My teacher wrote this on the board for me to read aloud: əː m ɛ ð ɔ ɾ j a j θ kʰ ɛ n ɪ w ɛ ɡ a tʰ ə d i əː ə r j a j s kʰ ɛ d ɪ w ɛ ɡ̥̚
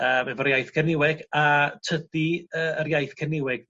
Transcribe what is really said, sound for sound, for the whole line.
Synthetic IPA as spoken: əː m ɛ v ɔ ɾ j a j θ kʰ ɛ n ɪ w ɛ ɡ a tʰ ə d i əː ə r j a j θ kʰ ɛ n ɪ w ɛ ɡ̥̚